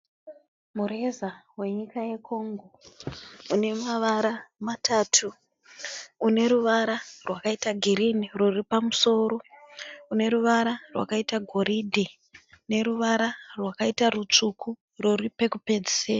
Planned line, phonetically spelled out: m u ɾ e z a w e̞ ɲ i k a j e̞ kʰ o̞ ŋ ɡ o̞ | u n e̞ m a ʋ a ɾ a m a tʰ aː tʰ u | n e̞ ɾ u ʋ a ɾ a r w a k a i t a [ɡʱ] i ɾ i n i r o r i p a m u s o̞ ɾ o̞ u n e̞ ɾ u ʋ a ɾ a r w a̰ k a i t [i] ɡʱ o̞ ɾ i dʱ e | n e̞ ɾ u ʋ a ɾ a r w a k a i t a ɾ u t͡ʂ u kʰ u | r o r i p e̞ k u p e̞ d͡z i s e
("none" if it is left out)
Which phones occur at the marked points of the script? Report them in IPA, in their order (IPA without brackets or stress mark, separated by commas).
ɡʱ, a